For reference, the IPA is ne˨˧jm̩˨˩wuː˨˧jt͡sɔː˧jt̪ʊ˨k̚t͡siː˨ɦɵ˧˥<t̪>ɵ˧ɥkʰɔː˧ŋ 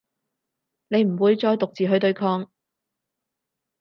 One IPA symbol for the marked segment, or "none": t̪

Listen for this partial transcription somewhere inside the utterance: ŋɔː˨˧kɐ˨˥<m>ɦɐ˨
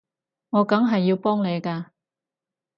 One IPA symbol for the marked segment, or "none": ŋ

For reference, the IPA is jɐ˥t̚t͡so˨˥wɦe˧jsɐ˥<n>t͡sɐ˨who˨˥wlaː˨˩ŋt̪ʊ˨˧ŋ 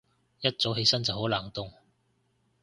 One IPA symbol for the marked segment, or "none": n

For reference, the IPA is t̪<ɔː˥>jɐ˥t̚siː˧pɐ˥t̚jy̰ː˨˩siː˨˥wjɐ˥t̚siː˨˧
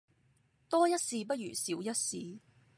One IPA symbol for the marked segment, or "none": ɔː˥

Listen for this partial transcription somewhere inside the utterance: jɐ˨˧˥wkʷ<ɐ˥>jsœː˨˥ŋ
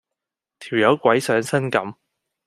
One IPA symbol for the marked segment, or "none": ɐ˨˥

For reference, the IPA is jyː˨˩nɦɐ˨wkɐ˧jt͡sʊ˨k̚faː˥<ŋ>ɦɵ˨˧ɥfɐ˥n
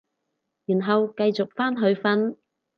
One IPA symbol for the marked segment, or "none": n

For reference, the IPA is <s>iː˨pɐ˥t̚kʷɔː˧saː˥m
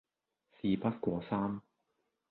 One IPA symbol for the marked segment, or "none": s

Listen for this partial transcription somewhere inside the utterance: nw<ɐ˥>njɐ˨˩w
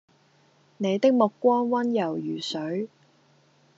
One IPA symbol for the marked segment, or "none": ɐ˥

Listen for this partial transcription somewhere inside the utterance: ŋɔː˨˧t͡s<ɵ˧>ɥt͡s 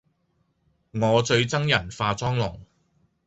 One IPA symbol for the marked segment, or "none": ɵ˧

